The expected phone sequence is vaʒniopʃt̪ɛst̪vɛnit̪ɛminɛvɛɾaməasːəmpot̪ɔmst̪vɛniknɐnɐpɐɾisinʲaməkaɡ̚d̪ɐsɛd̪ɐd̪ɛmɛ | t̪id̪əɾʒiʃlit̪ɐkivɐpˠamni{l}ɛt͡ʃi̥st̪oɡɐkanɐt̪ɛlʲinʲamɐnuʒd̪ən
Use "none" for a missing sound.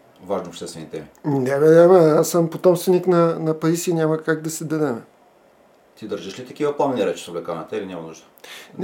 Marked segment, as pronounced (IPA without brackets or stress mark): ɾ